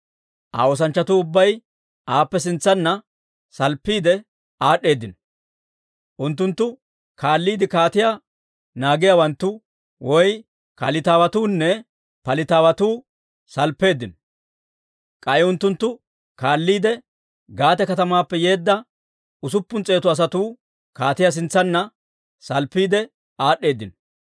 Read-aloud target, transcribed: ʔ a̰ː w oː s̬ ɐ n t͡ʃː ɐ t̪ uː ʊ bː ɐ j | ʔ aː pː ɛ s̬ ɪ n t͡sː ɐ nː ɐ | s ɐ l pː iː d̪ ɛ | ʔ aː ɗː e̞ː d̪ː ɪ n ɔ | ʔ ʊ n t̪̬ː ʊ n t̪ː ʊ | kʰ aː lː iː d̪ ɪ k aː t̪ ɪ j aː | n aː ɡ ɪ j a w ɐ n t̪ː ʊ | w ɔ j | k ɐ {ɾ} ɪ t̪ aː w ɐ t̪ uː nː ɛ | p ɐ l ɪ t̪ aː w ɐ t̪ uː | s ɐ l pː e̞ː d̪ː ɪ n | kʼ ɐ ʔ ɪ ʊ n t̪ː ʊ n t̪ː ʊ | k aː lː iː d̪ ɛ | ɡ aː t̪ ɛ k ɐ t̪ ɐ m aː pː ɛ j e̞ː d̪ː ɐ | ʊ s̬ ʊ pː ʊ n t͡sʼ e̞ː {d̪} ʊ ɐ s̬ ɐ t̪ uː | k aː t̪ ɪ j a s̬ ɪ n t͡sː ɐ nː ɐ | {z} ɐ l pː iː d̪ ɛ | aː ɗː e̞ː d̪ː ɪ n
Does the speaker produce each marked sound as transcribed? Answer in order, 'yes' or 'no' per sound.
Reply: no, no, no

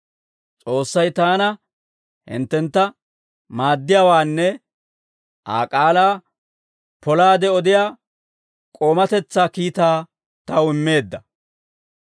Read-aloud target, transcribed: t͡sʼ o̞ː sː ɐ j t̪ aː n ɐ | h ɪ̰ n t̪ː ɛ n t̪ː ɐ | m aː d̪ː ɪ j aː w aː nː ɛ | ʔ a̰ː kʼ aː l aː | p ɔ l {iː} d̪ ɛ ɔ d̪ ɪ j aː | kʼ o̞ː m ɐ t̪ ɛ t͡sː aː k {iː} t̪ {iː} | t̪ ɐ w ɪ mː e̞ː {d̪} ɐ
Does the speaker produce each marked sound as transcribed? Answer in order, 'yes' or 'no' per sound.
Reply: no, yes, no, no

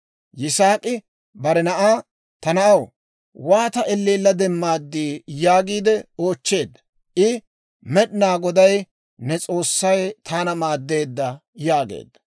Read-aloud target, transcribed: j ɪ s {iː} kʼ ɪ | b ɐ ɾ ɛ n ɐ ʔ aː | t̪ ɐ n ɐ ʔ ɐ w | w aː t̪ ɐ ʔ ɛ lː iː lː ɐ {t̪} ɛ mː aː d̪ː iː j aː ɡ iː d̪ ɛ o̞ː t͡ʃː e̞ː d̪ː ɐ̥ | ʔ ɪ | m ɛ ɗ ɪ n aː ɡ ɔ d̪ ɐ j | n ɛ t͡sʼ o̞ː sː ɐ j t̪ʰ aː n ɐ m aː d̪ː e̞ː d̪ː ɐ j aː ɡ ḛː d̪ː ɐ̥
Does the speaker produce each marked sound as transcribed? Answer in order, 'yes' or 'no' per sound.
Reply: no, no

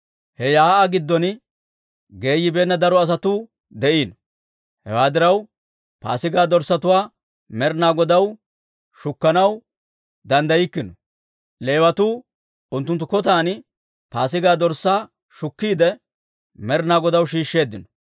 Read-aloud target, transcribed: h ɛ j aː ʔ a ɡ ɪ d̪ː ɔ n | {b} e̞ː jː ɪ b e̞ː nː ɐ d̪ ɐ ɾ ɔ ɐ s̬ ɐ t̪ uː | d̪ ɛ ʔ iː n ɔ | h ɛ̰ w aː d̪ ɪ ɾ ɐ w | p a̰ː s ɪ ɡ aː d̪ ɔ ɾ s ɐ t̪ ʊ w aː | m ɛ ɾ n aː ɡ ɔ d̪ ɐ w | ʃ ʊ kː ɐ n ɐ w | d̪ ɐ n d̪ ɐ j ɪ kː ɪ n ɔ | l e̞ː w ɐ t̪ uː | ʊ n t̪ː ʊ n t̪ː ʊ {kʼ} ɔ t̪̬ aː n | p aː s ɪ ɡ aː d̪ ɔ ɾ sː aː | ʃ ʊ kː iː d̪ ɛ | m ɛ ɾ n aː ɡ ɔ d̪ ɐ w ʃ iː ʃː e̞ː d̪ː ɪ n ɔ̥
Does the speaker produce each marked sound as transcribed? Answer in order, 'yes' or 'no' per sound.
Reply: no, no

